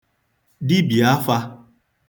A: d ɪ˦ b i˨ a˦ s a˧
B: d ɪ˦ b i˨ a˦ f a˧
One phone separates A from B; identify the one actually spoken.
B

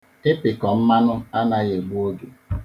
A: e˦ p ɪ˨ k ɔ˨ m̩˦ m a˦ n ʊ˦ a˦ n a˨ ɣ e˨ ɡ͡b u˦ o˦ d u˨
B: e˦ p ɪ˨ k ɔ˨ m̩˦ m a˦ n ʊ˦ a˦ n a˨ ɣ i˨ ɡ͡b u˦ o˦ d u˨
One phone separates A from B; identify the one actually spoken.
A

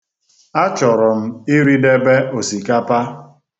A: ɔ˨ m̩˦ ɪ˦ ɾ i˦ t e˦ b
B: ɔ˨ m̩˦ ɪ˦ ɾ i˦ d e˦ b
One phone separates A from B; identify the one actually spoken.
B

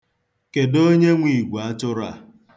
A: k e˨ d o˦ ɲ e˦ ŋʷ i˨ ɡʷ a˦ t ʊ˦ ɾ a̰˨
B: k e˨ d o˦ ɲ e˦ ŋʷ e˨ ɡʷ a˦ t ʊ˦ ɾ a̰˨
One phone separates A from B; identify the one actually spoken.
A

